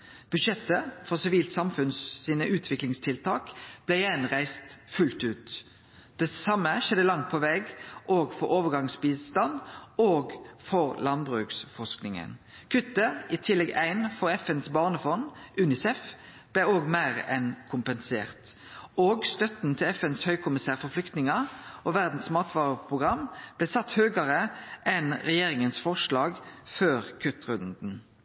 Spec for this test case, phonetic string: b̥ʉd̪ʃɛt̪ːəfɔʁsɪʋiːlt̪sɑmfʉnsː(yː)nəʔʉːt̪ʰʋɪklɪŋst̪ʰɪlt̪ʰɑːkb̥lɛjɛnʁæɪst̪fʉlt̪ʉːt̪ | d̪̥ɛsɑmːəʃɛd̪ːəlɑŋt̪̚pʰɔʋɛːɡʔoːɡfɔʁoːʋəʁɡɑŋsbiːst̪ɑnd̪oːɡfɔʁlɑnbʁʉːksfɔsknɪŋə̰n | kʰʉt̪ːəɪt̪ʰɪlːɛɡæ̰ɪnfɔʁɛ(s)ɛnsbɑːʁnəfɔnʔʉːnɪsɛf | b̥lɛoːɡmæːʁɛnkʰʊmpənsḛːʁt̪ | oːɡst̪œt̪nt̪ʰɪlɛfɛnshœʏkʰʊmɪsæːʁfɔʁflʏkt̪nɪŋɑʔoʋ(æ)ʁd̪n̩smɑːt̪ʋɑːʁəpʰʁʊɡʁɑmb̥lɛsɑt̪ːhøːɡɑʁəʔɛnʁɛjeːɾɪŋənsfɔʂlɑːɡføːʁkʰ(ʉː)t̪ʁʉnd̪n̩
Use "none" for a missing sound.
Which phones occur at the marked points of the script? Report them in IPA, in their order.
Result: iː, f, æ, ʉ

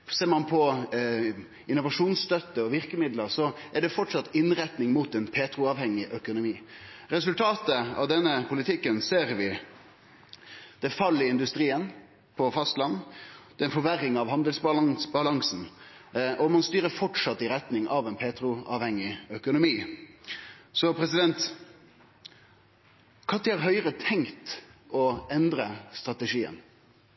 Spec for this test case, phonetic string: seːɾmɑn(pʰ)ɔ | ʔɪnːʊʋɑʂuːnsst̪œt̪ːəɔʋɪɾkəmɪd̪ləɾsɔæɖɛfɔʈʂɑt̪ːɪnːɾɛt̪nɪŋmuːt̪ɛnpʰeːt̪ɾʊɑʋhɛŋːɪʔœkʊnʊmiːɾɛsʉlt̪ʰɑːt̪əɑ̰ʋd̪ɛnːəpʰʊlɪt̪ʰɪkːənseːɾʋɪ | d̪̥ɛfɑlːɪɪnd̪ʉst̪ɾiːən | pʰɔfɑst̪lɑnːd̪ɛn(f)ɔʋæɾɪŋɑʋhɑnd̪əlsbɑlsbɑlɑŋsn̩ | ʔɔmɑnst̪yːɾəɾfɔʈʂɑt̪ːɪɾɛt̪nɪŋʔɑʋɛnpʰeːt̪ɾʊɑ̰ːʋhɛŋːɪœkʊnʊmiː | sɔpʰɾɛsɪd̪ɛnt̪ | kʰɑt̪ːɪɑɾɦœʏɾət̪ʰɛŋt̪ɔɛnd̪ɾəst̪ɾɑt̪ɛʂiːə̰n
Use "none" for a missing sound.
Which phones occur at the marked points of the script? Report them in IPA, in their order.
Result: pʰ, f

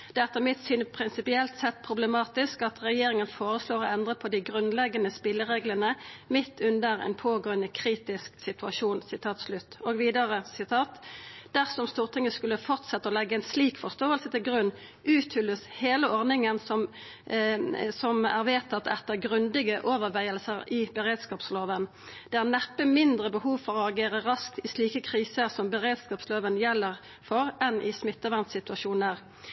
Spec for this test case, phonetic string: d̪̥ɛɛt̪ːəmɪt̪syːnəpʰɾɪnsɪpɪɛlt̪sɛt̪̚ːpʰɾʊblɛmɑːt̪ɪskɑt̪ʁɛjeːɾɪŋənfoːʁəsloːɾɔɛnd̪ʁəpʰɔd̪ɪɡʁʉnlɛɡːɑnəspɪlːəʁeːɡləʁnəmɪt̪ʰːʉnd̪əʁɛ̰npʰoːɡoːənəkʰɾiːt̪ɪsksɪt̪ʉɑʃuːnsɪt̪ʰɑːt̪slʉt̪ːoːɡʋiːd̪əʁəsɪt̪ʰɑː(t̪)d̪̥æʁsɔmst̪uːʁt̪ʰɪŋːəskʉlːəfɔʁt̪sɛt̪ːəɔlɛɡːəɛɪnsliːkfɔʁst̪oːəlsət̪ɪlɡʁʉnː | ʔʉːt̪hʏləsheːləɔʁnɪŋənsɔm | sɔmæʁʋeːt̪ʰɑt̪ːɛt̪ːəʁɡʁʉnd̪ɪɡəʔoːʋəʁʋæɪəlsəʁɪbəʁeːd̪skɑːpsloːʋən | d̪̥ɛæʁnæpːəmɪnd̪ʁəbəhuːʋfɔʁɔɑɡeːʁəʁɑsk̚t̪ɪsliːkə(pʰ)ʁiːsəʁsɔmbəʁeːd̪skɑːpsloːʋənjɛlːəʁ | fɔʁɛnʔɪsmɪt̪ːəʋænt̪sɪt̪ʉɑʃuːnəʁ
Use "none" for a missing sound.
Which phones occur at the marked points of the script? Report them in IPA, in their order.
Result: t̪, kʰ

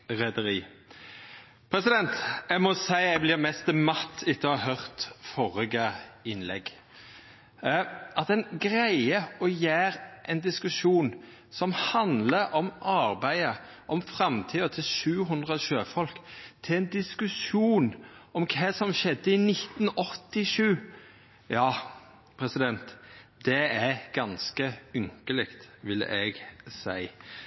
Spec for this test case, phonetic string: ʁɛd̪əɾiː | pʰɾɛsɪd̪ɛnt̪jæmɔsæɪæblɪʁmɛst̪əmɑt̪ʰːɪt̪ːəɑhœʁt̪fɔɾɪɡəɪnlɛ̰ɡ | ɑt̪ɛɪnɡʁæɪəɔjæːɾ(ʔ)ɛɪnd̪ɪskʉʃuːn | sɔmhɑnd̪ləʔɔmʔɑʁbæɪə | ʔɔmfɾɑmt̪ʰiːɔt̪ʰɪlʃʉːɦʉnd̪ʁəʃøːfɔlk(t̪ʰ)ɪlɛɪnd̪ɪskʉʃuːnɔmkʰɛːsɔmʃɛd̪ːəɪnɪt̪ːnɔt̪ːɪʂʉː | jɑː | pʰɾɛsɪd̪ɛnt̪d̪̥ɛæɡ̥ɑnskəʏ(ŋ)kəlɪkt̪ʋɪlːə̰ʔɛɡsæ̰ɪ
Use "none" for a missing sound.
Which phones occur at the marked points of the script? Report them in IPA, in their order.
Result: ʔ, t̪ʰ, ŋ

